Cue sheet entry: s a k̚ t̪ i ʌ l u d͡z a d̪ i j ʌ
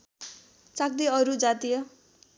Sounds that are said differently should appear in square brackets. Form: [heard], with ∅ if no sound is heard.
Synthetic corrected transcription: [t͡s] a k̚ [d̪] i ʌ [ɾ] u d͡z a [t̪] i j ʌ